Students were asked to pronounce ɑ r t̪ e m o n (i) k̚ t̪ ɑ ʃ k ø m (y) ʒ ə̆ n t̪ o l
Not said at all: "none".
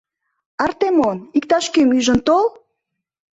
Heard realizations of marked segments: i, y

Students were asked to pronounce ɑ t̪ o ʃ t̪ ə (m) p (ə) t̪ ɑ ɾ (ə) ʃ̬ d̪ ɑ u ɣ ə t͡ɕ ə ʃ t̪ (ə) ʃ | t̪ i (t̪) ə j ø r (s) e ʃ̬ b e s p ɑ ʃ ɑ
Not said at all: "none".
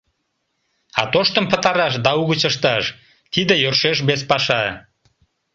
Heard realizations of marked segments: m, ə, ɑ, ɑ, d̪, ʃ

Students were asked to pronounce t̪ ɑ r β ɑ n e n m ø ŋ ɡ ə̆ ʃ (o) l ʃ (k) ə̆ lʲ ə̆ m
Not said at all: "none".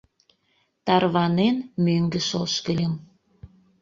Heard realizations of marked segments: o, k

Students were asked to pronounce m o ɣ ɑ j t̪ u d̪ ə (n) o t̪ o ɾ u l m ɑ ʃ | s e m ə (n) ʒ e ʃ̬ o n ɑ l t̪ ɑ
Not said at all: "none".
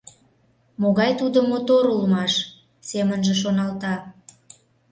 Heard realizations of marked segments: m, n

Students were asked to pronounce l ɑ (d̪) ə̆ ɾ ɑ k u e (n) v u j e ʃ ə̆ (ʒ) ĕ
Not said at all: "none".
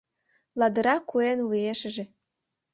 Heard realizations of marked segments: d̪, n, ʒ

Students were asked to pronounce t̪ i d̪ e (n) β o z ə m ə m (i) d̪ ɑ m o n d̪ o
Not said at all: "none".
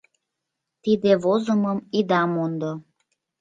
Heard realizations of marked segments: none, i

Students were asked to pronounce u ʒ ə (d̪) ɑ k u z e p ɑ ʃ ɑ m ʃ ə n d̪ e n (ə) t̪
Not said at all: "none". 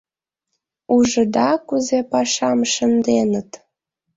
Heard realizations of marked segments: d̪, ə

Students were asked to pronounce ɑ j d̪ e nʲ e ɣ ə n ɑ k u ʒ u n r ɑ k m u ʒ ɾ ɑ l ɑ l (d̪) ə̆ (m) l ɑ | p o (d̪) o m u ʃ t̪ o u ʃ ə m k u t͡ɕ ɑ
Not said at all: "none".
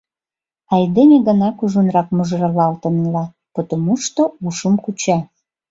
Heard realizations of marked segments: t̪, n, t̪

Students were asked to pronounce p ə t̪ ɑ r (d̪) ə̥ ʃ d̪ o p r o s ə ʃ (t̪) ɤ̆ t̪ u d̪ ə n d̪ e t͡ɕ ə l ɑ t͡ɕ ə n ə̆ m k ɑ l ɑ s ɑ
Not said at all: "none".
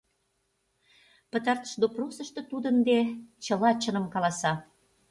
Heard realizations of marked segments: t̪, t̪

